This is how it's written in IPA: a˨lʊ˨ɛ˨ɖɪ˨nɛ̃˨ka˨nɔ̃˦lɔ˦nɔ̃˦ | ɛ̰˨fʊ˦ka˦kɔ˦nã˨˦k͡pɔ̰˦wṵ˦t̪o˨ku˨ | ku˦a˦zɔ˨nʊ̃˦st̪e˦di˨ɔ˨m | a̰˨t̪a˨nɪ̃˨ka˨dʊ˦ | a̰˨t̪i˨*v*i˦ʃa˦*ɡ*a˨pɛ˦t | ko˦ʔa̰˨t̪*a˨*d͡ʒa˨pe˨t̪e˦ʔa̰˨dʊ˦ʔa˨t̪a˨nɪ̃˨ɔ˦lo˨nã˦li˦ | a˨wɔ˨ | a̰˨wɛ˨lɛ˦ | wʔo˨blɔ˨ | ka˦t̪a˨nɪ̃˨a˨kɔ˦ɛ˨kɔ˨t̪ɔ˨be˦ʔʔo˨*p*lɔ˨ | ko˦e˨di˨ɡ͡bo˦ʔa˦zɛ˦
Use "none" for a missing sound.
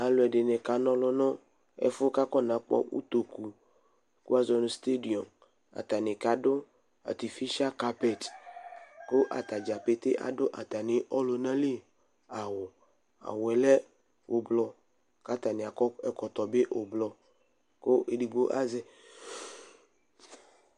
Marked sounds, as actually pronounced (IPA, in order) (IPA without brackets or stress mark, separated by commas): f, k, a˨, b